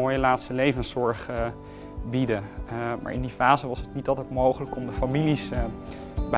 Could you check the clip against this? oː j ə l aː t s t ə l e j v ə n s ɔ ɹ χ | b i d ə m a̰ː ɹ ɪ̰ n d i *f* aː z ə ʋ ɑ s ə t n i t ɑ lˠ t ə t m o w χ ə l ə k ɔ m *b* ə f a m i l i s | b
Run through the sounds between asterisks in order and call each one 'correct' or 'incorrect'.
correct, incorrect: d

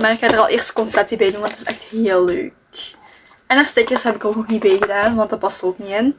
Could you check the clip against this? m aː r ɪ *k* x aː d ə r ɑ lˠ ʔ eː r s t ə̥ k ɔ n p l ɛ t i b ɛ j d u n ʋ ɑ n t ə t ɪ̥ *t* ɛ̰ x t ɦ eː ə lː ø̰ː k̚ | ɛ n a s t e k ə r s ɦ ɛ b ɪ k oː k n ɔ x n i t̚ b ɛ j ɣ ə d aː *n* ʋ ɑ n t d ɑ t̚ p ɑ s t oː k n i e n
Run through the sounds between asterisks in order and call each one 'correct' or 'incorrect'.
correct, incorrect: s, correct

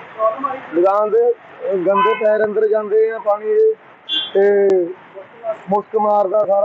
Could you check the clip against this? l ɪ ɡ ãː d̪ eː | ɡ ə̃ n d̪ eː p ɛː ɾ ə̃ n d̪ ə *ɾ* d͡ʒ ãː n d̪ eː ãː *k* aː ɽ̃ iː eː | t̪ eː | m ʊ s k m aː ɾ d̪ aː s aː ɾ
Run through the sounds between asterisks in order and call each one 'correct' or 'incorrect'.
correct, incorrect: p

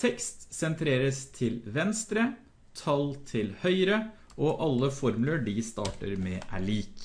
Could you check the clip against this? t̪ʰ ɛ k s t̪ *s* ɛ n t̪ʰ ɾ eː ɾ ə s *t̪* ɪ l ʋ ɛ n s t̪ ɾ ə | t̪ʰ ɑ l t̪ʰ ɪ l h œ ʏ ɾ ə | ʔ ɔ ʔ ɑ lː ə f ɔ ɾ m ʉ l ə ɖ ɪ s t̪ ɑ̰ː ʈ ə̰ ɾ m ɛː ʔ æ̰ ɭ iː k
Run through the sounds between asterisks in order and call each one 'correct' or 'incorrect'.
correct, incorrect: t̪ʰ

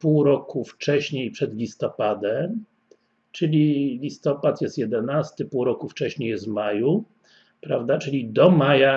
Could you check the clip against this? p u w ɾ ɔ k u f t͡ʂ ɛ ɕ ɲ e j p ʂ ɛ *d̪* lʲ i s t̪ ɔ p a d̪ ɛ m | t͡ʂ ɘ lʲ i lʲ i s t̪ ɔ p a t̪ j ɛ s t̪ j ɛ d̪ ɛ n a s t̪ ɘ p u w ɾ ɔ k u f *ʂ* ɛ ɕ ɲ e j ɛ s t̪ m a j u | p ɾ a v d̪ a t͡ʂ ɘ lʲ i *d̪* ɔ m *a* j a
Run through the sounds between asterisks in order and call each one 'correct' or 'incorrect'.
correct, incorrect: t͡ʂ, correct, correct

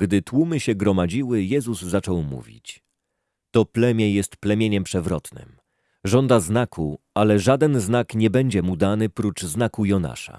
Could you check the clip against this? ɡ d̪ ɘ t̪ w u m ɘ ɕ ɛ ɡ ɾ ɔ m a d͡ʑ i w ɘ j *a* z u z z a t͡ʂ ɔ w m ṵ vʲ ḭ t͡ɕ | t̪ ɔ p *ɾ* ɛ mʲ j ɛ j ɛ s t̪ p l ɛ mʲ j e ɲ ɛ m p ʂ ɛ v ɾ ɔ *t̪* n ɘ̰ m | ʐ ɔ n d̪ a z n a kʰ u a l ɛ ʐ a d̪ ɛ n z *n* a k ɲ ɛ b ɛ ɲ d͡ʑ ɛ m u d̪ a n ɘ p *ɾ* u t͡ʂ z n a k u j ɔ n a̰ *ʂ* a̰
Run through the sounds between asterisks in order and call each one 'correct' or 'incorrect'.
incorrect: ɛ, incorrect: l, correct, correct, correct, correct

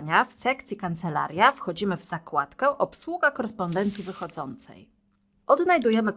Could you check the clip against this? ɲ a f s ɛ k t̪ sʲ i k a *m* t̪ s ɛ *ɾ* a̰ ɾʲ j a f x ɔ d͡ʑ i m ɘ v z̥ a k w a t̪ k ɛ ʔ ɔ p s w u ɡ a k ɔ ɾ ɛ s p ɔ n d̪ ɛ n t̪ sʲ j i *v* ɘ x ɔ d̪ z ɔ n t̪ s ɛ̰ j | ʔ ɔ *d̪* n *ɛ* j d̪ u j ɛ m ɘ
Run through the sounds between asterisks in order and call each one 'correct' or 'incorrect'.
incorrect: n, incorrect: l, correct, correct, incorrect: a

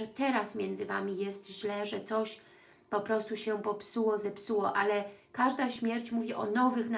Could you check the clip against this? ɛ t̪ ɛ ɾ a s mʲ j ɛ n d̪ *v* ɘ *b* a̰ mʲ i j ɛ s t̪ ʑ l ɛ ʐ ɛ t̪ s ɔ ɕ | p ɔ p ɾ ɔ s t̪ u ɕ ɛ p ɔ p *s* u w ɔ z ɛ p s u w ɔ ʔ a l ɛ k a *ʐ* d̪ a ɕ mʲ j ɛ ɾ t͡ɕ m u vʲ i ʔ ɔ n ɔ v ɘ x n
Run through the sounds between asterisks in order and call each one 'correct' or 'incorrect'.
incorrect: z, incorrect: v, correct, correct

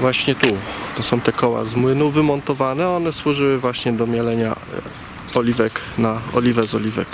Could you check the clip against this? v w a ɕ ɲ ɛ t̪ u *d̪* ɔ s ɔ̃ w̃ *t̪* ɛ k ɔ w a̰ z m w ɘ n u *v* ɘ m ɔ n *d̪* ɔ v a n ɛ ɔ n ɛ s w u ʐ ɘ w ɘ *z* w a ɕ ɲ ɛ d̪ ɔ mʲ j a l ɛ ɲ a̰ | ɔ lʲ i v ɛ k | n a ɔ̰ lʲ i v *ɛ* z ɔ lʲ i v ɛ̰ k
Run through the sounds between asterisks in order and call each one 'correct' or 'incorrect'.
incorrect: t̪, correct, correct, incorrect: t̪, incorrect: v, correct

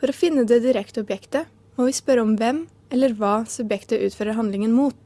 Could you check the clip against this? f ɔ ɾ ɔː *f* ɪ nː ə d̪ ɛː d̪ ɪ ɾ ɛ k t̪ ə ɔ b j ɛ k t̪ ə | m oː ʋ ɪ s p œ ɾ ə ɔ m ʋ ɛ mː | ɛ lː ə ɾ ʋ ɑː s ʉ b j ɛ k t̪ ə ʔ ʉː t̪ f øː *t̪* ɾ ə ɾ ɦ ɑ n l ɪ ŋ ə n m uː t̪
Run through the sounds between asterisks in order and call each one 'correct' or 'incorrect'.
correct, incorrect: none

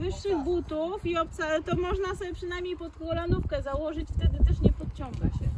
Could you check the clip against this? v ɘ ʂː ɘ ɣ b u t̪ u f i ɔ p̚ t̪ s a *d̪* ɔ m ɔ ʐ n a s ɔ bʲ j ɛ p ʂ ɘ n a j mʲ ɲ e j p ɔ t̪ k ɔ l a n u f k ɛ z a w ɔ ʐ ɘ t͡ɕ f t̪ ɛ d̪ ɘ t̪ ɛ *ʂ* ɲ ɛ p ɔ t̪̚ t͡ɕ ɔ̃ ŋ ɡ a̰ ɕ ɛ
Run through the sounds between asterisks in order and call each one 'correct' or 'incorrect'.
incorrect: t̪, correct

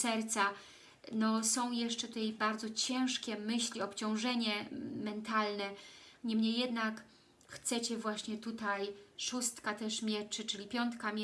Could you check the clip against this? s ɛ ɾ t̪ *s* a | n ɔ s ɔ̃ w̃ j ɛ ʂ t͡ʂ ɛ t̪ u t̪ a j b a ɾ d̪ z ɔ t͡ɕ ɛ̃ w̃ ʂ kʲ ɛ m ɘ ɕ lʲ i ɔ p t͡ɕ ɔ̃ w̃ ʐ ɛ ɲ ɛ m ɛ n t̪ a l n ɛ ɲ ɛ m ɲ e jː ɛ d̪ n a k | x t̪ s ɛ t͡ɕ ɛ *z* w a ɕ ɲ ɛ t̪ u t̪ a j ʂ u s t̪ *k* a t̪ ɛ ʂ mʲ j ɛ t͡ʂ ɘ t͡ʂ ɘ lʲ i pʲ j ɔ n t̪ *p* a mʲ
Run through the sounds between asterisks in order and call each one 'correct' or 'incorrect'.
correct, incorrect: v, correct, incorrect: k

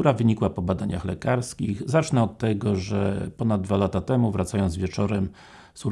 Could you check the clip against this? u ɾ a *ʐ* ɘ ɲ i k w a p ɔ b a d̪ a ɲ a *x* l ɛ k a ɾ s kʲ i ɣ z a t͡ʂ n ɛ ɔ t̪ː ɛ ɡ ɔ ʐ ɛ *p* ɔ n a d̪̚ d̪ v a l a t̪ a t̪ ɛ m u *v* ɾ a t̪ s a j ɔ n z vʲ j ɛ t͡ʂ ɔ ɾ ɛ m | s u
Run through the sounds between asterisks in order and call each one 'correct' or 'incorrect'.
incorrect: v, correct, correct, correct

